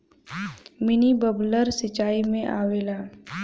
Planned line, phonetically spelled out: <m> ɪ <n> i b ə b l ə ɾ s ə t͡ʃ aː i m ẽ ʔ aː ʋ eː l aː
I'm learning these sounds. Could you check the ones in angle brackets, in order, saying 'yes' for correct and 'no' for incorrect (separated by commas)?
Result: yes, yes